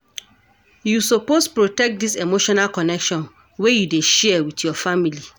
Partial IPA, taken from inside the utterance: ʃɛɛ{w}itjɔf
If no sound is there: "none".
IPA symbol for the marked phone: w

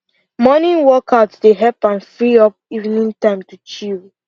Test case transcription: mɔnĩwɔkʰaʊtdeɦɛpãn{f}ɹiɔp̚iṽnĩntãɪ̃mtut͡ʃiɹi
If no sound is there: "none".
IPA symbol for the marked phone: f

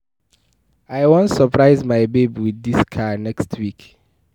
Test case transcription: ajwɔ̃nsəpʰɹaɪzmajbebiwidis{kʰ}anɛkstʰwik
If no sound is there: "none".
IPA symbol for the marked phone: kʰ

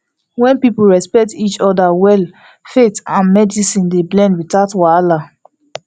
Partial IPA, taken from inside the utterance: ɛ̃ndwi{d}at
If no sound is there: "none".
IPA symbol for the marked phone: t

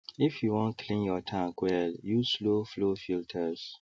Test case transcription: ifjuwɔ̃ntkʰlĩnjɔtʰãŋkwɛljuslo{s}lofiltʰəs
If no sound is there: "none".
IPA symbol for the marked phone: f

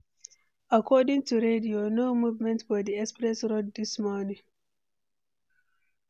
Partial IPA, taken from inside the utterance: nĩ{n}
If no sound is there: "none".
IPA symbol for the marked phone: ŋ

